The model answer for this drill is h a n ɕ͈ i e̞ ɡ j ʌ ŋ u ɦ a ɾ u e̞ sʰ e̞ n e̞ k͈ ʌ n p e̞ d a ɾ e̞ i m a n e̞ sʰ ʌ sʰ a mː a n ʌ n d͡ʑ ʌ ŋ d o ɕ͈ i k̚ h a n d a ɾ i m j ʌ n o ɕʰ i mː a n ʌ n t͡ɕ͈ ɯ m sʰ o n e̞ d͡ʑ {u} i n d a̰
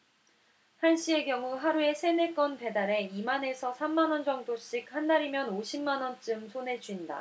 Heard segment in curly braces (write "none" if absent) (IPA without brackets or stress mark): u